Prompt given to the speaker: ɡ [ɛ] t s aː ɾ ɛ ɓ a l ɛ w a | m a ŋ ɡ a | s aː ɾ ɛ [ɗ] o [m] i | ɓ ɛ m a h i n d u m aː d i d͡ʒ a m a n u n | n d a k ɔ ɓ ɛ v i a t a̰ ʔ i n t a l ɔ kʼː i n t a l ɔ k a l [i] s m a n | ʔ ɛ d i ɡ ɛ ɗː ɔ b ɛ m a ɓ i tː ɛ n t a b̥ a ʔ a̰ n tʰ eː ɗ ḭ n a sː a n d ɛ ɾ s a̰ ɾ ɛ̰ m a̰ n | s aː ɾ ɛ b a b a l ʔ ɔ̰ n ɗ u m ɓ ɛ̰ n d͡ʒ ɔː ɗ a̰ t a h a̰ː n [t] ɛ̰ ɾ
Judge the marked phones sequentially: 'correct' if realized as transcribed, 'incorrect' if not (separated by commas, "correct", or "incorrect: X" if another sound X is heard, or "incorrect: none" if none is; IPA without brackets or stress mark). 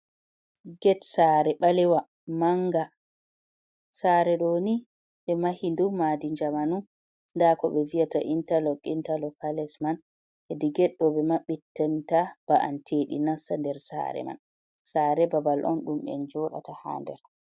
correct, correct, incorrect: n, incorrect: ɛ, incorrect: d